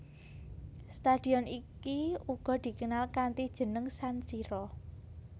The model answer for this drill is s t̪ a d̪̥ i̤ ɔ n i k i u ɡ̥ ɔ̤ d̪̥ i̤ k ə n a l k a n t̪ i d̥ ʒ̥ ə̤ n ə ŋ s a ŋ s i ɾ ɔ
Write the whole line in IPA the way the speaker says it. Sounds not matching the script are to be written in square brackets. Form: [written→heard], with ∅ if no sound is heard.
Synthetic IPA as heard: s t̪ a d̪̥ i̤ ɔ n i k i u ɡ̥ ɔ̤ d̪̥ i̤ k ə n a l k a n t̪ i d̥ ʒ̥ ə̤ n ə ŋ s a [ŋ→n] s i ɾ ɔ